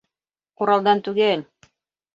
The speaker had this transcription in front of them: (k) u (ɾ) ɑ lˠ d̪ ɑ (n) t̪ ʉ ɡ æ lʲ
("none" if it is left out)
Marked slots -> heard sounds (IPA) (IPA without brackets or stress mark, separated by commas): q, ɾ, n